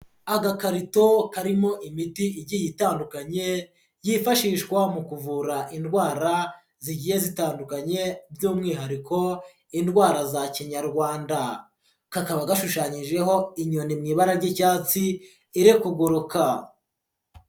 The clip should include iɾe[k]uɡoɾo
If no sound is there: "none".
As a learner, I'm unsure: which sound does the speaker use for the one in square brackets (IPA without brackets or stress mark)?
k